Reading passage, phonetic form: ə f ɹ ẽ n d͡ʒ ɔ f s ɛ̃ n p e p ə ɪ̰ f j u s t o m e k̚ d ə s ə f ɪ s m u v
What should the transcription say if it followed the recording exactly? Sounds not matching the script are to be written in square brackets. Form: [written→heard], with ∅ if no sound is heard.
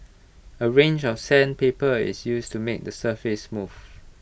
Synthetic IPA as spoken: ə [f→∅] ɹ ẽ n d͡ʒ ɔ f s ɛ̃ n p e p ə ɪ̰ [f→s] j u s t [o→u] m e k̚ d ə s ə f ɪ s m u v